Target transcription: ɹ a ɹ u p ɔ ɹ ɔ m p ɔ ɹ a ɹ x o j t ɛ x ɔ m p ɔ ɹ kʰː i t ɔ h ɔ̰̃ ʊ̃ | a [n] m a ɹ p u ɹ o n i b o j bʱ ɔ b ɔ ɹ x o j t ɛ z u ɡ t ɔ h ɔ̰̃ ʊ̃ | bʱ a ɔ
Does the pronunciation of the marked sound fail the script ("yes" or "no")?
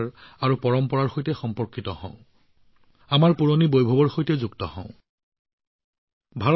yes